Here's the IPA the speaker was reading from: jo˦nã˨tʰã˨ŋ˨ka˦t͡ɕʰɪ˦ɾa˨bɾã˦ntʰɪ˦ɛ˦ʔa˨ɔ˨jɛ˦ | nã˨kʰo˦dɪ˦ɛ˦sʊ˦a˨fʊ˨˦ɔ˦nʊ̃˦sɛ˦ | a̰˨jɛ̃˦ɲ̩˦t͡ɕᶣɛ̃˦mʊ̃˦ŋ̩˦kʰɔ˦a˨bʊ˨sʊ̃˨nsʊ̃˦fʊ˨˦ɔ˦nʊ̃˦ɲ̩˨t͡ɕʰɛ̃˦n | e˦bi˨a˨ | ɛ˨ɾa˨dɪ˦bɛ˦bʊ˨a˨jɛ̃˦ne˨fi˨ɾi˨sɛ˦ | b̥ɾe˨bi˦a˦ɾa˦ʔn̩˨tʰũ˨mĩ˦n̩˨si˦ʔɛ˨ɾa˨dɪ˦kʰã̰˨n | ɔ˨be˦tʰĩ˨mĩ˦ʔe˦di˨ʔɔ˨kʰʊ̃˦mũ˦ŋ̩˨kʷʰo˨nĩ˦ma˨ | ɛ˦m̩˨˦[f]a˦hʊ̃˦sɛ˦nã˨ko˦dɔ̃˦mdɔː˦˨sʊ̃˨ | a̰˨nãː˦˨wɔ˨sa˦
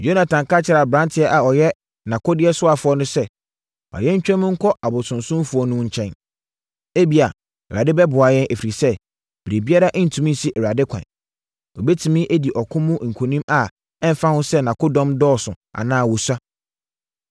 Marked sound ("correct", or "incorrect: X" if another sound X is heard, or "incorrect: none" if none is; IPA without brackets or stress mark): correct